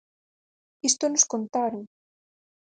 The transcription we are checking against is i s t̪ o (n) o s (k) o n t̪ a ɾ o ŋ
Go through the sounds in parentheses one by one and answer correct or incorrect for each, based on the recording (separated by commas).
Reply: correct, correct